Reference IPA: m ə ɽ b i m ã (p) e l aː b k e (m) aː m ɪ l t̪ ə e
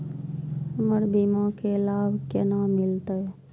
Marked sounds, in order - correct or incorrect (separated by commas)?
incorrect, incorrect